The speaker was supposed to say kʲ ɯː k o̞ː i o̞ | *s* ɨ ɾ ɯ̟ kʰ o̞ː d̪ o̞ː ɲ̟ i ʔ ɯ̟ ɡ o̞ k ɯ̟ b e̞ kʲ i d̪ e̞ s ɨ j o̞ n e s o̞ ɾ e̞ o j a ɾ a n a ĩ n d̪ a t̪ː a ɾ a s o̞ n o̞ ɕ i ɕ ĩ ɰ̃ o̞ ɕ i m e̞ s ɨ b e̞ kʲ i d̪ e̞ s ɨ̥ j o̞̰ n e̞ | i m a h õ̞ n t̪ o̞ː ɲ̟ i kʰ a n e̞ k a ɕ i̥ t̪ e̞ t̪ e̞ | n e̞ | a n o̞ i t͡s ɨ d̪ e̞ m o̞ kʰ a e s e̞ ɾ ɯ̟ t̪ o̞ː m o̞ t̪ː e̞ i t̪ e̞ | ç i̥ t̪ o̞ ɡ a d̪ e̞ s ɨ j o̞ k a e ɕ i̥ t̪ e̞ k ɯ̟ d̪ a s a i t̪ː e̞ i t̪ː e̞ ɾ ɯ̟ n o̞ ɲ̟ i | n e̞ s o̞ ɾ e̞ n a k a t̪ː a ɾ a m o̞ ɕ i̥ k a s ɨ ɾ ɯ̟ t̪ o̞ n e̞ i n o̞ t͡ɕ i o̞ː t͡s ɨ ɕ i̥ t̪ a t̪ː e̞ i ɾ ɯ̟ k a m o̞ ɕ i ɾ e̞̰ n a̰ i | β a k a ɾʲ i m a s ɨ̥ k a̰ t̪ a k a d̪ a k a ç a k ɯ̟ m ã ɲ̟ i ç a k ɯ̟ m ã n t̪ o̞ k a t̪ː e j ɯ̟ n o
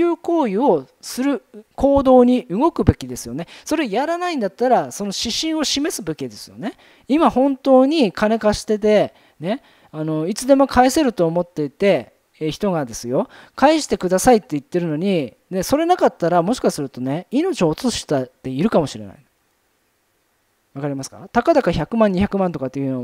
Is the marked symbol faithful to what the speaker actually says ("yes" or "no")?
yes